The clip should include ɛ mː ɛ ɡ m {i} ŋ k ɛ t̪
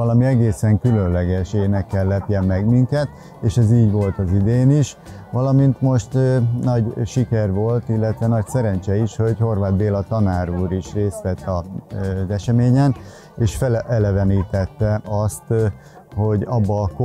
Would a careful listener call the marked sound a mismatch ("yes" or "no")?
no